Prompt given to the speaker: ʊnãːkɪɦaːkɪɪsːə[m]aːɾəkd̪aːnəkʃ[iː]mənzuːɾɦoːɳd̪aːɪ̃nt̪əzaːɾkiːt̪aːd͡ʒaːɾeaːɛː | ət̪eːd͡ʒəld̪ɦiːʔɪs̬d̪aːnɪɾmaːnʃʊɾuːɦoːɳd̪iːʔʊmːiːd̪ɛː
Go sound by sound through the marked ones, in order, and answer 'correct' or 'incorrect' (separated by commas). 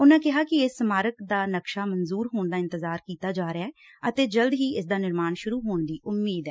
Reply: correct, incorrect